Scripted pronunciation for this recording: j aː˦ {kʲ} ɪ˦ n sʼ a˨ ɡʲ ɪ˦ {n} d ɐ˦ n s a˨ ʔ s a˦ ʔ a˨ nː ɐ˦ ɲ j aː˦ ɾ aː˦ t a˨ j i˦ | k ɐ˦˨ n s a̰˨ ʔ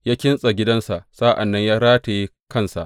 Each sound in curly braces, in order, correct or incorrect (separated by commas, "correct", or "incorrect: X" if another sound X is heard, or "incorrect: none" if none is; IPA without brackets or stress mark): correct, incorrect: none